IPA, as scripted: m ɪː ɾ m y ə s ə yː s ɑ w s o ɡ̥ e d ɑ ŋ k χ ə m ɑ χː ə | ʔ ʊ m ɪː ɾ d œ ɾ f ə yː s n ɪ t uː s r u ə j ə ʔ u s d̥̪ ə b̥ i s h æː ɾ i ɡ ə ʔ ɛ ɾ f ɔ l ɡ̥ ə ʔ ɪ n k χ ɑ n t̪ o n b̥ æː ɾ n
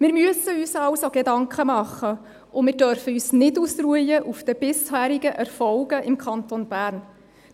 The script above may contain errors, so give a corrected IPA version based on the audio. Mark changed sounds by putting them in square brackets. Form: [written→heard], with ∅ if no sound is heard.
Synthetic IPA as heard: m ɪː ɾ m y ə s ə yː s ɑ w s o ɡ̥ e d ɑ ŋ k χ ə m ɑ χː ə | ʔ ʊ m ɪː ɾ d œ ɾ f ə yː s n ɪ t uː s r u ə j ə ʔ u [s→f] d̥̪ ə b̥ [i→ɪ] s h æː ɾ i ɡ ə ʔ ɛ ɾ f ɔ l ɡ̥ ə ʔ ɪ [n→m] k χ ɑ n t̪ o n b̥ æː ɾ n